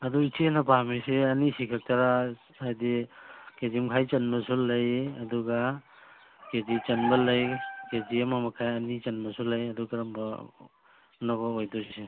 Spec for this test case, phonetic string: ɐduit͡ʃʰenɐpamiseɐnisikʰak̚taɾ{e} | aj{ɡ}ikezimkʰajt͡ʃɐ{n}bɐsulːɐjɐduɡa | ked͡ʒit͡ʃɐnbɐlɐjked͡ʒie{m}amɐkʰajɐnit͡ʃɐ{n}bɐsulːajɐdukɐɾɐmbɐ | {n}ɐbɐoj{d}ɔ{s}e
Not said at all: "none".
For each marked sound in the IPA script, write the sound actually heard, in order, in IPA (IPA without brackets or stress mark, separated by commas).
a, d, n, m, n, n, d, s